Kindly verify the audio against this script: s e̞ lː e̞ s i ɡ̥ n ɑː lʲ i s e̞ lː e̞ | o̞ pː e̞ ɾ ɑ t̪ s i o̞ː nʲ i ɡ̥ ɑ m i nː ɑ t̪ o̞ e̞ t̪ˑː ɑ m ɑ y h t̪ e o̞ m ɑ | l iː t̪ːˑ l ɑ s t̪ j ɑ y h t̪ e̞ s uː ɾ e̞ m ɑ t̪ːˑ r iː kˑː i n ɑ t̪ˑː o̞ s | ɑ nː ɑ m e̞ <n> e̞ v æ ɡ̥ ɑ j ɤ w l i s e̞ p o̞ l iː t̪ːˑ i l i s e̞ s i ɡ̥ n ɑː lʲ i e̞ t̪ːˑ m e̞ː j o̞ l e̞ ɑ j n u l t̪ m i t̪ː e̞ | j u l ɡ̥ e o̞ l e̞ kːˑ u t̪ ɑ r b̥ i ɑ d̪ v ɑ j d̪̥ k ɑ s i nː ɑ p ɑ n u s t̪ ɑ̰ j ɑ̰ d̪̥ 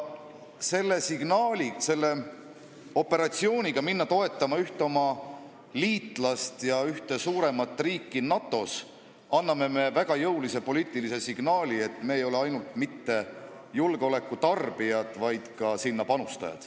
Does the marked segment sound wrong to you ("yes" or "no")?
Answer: yes